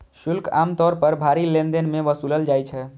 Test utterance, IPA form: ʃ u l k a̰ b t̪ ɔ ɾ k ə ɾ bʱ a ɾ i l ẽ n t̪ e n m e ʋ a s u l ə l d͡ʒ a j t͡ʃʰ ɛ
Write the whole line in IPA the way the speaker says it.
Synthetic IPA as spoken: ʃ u l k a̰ m t̪ ɔ ɾ p ə ɾ bʱ a ɾ i l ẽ n d̪ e n m e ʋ ə s u l ə l d͡ʒ a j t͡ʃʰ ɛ